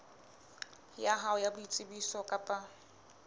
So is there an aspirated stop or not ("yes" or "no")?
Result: no